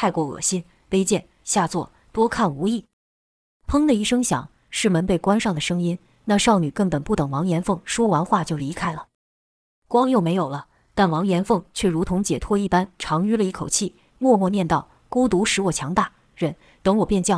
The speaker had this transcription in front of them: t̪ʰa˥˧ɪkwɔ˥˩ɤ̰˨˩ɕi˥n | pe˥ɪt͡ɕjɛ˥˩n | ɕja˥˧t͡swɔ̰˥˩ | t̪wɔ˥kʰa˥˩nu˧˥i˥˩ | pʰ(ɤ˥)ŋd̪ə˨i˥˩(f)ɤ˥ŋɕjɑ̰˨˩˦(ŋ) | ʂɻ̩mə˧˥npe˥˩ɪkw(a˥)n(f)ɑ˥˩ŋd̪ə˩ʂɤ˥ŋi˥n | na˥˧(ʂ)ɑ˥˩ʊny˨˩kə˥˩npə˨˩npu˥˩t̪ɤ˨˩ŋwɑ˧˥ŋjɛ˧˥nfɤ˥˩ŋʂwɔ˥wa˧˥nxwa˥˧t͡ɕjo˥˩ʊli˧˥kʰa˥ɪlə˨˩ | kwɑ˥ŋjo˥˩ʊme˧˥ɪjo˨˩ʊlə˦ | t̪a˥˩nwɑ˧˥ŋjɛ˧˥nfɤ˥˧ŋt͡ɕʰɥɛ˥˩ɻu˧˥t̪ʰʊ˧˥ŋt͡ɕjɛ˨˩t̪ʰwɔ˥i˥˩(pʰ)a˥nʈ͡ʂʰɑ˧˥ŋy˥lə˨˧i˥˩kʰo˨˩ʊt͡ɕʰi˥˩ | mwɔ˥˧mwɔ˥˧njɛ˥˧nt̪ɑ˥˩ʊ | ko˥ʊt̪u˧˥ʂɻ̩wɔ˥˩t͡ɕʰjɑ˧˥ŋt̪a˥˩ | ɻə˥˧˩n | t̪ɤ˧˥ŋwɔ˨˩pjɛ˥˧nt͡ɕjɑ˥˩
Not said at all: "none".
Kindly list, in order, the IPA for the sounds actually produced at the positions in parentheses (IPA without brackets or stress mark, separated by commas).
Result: ɤ˥, ʂ, ŋ, a˥, ʂ, ʂ, p